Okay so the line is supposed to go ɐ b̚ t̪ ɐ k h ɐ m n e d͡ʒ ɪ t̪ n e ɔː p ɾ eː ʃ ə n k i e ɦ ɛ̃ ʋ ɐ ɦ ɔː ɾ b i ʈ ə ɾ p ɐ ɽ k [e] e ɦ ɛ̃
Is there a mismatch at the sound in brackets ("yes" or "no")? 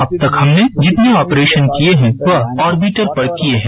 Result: yes